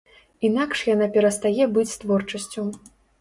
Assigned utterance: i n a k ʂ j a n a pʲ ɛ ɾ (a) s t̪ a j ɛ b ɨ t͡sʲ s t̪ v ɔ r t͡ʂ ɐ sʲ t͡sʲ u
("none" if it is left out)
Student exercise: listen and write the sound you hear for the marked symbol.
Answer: ɐ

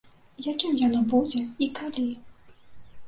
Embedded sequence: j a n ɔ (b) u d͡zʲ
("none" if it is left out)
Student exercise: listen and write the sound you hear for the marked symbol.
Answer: b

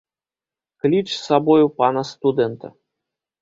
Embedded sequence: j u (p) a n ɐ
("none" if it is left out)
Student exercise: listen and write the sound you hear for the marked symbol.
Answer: p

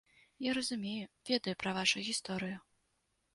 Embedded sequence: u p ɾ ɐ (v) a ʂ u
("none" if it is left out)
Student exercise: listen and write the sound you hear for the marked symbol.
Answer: v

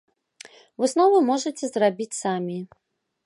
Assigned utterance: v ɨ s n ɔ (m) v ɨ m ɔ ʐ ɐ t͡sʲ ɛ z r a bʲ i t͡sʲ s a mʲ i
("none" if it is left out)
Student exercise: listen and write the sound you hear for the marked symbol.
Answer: none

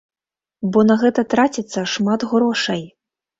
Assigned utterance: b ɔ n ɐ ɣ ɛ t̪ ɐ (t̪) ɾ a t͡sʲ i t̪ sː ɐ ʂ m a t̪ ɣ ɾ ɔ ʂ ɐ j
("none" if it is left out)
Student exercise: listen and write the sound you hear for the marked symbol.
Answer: t̪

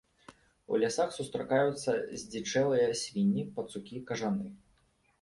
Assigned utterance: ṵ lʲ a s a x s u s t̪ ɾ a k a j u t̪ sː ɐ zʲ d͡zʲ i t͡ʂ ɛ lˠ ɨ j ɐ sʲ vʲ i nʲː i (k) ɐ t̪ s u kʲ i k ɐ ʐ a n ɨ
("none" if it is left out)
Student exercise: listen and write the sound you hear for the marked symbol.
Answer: p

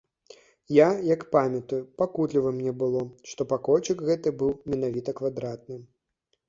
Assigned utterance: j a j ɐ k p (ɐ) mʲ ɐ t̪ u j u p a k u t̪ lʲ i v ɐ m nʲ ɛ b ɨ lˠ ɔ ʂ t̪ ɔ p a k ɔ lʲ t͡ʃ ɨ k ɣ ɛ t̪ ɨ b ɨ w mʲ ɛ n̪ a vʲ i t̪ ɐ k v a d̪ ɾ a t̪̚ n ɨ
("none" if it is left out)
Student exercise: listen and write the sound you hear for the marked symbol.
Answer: a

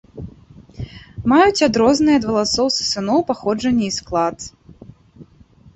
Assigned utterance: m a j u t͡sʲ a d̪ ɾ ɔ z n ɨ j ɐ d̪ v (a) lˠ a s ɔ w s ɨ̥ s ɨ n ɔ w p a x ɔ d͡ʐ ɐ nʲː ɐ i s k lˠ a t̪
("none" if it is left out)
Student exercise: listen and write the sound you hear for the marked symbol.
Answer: ɐ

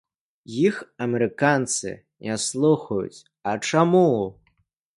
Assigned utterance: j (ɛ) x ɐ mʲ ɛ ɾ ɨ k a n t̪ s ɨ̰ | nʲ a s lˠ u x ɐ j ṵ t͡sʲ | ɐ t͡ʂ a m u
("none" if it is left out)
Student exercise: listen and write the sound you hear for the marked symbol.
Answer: i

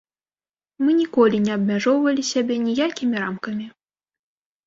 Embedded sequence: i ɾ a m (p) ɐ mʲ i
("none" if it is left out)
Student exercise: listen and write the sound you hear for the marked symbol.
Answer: k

